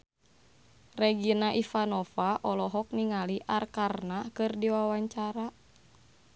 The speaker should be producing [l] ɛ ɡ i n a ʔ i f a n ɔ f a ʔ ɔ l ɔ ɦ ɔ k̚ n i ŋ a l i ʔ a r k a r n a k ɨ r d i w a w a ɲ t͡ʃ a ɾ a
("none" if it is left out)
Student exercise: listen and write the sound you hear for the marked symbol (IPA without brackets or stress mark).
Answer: r